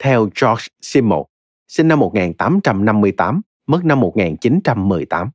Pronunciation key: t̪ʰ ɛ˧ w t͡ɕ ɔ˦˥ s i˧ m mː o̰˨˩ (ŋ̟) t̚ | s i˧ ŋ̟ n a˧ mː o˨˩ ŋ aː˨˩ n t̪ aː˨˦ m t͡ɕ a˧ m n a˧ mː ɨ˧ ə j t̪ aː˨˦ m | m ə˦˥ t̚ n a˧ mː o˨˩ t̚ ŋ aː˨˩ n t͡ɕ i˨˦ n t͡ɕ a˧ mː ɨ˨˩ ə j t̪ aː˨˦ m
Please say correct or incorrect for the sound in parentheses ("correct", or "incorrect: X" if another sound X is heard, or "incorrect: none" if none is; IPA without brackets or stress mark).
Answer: incorrect: none